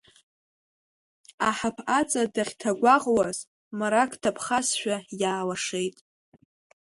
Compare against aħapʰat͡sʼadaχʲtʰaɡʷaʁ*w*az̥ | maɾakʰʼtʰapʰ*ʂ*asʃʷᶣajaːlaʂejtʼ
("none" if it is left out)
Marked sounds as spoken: w, χ

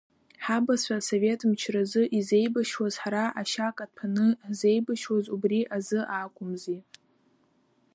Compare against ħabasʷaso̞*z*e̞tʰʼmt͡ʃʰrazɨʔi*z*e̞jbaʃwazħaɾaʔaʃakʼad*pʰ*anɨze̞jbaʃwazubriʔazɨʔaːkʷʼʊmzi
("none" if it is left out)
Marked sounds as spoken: v, z, pʰ

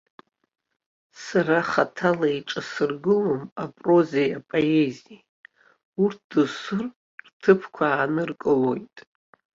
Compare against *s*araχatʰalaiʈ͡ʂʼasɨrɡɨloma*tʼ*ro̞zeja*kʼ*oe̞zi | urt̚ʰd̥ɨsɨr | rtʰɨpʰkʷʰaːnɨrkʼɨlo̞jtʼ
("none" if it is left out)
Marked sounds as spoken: s, pʼ, pʼ

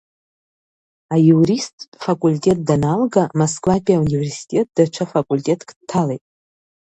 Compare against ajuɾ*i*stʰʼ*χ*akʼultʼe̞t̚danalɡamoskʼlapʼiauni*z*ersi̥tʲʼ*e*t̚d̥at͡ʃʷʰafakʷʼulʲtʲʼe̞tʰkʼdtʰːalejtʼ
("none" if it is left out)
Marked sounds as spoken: i, f, v, e

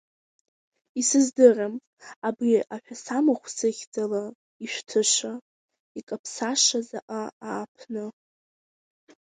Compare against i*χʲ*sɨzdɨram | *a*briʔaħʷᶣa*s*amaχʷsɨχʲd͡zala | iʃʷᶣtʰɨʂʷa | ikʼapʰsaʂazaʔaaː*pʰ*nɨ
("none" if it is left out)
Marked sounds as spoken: none, a, s, pʰ

